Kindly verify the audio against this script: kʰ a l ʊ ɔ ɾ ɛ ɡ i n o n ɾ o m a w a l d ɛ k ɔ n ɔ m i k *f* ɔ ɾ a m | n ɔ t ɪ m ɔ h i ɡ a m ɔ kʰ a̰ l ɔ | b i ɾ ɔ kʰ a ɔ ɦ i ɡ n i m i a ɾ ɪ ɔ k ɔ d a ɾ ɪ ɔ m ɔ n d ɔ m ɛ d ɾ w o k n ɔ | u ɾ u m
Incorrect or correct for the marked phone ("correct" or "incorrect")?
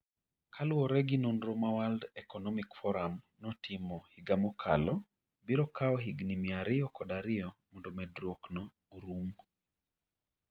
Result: correct